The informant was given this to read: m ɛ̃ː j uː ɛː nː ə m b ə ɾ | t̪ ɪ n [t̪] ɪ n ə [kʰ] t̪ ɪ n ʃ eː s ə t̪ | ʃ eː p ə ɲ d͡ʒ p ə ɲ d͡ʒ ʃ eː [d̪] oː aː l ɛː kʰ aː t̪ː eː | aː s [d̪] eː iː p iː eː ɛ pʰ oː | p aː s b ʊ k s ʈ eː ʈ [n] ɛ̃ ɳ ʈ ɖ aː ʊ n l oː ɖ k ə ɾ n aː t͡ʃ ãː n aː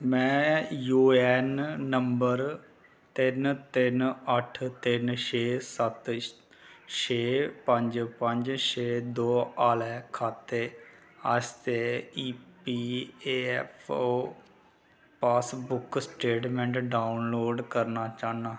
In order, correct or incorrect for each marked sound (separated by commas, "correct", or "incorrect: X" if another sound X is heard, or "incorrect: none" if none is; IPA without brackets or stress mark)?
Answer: correct, incorrect: ʈʰ, correct, incorrect: t̪, incorrect: m